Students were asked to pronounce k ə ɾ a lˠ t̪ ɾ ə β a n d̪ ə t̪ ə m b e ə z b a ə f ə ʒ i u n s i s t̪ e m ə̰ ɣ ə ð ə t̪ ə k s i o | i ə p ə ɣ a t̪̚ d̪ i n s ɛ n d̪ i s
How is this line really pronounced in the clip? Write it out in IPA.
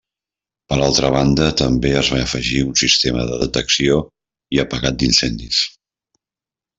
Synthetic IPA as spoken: p ə ɾ a lˠ t̪ ɾ ə β a n d̪ ə t̪ ə m b e ə z β a ə f ə ʒ i u n s i s t̪ e m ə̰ ð ə ð ə t̪ ə k s i o | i ə p ə ɣ a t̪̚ d̪ i n s ɛ n d̪ i s